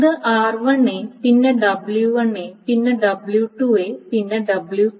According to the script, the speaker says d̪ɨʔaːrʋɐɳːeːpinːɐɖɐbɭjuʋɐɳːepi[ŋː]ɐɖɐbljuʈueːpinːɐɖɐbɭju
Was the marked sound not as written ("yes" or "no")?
yes